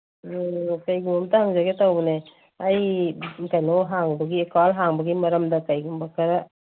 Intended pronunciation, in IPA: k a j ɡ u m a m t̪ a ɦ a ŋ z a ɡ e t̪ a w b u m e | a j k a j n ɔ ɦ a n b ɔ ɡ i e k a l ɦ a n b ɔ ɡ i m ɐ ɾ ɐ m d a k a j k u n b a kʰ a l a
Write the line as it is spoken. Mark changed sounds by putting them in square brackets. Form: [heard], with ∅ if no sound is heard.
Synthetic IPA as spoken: k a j ɡ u m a m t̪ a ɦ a ŋ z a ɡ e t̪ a w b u [n] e | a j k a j n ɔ ɦ a [ŋ] b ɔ ɡ i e k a l ɦ a [ŋ] b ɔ ɡ i m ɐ ɾ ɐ m d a k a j [ɡ] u [m] b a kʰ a [ɾ] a

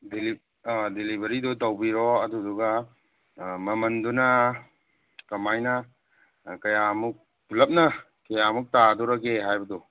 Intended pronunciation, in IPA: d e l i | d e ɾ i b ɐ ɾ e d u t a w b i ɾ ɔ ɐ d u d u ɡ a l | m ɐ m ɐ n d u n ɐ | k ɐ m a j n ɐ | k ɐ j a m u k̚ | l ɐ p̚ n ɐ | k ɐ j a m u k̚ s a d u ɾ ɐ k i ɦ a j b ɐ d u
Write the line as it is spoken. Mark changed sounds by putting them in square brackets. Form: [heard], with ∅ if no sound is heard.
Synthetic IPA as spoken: d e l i | d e [l] i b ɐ ɾ [i] d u t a w b i ɾ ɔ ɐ d u d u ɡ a [∅] | m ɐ m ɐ n d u n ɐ | k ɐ m a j n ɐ | k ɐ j a m u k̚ | l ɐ p̚ n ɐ | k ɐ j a m u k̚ [t] a d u ɾ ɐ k [e] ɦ a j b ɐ d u

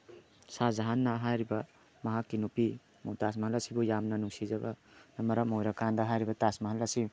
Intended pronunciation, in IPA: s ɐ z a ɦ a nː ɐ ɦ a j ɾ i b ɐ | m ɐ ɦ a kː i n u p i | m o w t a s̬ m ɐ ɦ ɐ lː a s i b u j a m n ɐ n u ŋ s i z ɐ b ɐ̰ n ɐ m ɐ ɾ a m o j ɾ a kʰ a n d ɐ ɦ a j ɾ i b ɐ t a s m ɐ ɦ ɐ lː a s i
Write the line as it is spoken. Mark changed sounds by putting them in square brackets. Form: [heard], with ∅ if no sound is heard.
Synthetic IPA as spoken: s [a] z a ɦ a nː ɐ ɦ a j ɾ i b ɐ | m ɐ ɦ a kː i n u p i | m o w t a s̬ m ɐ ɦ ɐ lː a s i b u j a m n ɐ n u ŋ s i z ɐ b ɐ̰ n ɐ m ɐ ɾ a m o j ɾ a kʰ a n d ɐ ɦ a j ɾ i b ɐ t a s m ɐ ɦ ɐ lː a s i

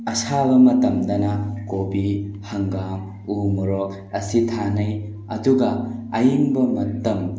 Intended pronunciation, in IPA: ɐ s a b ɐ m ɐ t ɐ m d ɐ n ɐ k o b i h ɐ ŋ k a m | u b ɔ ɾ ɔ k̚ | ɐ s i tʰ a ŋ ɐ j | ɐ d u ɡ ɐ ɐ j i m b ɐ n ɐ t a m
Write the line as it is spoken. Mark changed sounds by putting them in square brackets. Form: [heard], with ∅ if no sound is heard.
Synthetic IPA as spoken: ɐ s a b ɐ m ɐ t ɐ m d ɐ n ɐ k o b i h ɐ ŋ [ɡ] a m | u [m] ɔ ɾ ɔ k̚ | ɐ s i tʰ a [n] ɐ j | ɐ d u ɡ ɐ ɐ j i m b ɐ [m] ɐ t [ɐ] m

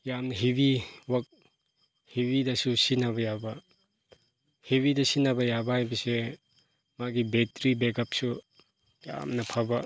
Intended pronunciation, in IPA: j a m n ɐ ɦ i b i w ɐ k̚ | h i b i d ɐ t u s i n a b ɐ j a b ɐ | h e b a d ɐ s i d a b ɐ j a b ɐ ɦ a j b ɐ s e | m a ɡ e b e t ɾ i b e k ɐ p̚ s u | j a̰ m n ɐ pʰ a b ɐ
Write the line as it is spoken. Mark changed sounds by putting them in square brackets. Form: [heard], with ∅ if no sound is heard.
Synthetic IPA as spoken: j a m n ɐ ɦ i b i w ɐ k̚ | h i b i d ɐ [s] u s i n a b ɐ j a b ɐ | h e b [i] d ɐ s i [n] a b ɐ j a b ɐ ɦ a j b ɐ s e | m a ɡ [i] b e t ɾ i b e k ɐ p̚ s u | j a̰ m n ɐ pʰ a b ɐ

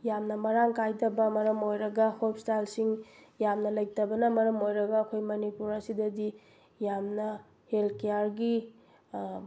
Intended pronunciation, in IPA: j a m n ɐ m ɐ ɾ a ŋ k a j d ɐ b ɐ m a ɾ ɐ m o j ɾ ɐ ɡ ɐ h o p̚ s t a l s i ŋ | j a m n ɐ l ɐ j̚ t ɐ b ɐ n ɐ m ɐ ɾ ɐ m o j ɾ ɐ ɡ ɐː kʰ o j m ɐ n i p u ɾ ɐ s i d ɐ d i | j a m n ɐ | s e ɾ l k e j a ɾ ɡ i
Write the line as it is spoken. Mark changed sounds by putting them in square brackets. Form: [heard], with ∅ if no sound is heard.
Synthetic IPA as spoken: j a m n ɐ m ɐ ɾ a ŋ k a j d ɐ b ɐ m [ɐ] ɾ ɐ m o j ɾ ɐ ɡ ɐ h o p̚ s t a l s i ŋ | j a m n ɐ l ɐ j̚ t ɐ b ɐ n ɐ m ɐ ɾ ɐ m o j ɾ ɐ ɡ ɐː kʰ o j m ɐ n i p u ɾ ɐ s i d ɐ d i | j a m n ɐ | [h] e [∅] l k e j a ɾ ɡ i

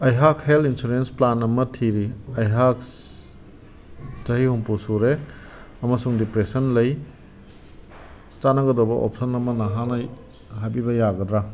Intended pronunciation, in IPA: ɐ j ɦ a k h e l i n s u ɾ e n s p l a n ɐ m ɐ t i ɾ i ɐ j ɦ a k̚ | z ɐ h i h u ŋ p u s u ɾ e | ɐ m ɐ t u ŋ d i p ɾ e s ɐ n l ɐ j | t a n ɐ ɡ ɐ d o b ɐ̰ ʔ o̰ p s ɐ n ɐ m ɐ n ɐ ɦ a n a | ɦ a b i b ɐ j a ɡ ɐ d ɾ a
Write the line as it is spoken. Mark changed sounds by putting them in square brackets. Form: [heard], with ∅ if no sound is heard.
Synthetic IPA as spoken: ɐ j ɦ a k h e l i n s u ɾ e n s p l a n ɐ m ɐ [tʰ] i ɾ i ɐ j ɦ a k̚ | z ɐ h i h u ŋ p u s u ɾ e | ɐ m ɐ [s] u ŋ d i p ɾ e s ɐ n l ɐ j | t a n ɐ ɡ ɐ d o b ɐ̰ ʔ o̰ p s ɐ n ɐ m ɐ n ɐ ɦ a n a | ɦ a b i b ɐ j a ɡ ɐ d ɾ a

